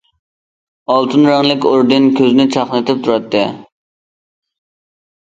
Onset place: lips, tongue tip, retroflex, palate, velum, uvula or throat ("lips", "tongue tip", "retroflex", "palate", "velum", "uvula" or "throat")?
tongue tip